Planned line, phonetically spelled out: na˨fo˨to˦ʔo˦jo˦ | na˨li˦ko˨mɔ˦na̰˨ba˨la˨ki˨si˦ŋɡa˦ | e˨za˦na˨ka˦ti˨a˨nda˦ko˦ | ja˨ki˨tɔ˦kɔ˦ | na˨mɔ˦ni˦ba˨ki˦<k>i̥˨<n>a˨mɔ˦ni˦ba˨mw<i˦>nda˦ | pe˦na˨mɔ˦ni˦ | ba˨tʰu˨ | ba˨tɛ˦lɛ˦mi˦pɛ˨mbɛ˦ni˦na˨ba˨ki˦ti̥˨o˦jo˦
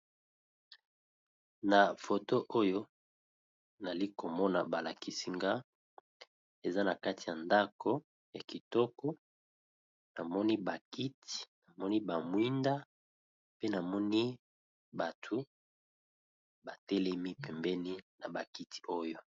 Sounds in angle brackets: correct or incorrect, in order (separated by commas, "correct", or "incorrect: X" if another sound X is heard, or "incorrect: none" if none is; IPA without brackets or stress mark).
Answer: incorrect: t, correct, correct